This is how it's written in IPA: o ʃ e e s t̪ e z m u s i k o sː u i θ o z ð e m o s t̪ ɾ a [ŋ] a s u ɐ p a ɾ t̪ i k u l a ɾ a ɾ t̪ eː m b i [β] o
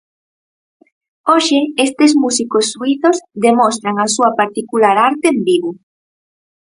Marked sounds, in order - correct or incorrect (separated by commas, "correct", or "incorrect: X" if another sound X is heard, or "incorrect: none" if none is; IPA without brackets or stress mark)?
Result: correct, correct